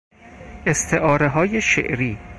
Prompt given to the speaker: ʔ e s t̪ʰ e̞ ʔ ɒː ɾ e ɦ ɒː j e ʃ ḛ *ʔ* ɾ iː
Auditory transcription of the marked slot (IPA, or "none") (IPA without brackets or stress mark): ʔ